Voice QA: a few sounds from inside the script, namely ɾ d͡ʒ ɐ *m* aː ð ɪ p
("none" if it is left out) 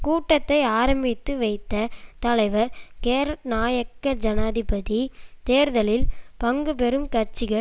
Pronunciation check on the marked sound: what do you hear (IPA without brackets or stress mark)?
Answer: n